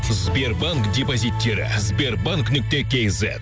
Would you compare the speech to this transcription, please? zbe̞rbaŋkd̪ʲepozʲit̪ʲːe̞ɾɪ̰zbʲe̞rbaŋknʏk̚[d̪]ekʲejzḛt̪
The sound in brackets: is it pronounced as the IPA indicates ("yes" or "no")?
no